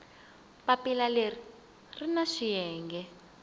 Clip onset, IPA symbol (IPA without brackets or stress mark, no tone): p